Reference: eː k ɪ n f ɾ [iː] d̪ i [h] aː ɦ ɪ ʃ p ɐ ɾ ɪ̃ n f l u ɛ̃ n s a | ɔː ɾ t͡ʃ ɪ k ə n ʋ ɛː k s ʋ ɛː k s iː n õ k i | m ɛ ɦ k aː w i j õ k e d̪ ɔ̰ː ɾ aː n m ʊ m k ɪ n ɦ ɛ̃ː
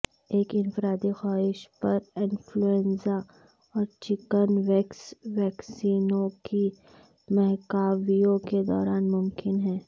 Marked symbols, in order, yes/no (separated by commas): no, no